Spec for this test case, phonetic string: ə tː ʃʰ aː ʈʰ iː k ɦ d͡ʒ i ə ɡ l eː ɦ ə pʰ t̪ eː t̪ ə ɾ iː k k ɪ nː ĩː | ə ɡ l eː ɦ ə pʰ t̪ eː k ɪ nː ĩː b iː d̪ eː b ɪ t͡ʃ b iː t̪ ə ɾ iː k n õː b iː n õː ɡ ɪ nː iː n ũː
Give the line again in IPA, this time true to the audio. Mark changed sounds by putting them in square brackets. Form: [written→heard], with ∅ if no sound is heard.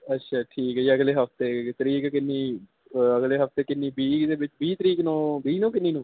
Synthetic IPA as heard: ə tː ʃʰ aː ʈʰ iː k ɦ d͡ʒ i ə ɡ l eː ɦ ə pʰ t̪ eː t̪ ə ɾ iː k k ɪ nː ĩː | ə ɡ l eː ɦ ə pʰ t̪ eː k ɪ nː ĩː b iː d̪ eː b ɪ t͡ʃ b iː t̪ ə ɾ iː k n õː b iː n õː [ɡ→k] ɪ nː iː n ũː